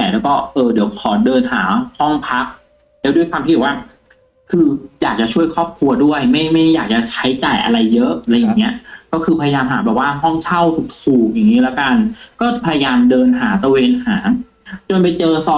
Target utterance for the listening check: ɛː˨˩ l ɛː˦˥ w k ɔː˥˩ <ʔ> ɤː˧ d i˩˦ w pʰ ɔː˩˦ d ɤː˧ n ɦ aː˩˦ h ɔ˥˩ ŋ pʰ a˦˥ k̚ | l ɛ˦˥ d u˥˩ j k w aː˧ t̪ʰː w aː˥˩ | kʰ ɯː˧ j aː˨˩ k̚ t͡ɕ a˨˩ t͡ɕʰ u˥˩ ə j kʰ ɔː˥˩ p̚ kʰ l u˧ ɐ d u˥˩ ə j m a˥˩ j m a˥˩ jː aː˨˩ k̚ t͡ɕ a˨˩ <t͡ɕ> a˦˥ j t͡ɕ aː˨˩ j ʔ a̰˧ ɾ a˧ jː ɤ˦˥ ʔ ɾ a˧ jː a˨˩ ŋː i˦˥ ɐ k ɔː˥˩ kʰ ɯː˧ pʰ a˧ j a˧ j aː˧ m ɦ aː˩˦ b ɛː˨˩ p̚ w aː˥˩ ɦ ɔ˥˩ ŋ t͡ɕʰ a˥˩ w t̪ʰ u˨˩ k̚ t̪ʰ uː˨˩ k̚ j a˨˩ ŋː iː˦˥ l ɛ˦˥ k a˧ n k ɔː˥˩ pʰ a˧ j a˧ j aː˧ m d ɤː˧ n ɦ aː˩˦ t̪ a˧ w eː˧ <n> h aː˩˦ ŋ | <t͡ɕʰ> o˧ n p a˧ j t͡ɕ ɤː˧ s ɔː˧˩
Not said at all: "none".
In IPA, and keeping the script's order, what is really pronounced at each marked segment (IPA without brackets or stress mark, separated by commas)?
ʔ, t͡ɕʰ, n, t͡ɕ